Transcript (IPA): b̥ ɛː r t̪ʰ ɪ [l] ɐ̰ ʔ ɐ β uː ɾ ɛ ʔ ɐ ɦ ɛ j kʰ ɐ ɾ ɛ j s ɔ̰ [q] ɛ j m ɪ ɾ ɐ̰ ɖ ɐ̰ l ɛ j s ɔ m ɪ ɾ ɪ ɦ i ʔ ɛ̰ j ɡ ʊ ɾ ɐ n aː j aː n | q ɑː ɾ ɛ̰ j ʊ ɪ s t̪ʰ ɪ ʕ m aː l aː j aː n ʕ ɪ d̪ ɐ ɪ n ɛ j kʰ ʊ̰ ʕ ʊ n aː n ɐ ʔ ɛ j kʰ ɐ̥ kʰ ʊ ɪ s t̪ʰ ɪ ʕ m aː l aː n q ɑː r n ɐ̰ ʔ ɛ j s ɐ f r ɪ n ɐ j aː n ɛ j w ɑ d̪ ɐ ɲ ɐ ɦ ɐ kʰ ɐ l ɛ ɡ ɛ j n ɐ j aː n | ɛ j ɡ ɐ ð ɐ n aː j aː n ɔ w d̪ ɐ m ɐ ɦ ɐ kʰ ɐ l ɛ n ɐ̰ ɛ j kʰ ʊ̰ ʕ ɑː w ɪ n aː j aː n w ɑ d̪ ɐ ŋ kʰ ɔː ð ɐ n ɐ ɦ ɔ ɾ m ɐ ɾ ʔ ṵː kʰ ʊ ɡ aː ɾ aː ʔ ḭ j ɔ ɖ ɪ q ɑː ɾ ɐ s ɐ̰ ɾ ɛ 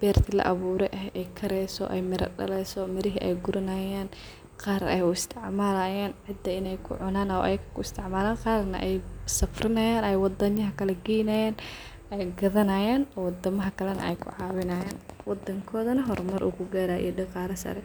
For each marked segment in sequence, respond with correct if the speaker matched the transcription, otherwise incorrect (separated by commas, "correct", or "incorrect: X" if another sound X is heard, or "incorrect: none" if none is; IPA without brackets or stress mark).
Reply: correct, incorrect: ʔ